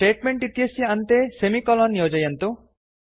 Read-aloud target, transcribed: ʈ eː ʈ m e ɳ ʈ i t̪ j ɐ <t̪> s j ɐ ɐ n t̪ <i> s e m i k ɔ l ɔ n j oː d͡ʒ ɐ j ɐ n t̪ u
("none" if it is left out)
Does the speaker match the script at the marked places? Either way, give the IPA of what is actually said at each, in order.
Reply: none, e

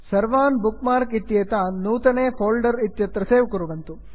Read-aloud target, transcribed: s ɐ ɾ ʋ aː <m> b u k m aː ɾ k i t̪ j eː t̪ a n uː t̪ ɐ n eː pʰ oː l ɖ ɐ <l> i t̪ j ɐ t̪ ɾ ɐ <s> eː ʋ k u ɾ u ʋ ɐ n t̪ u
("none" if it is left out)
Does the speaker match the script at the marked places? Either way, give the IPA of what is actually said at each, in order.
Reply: n, ɾ, s

